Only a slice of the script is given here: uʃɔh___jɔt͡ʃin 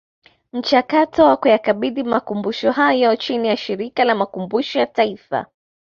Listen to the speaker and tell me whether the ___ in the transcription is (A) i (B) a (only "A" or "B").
B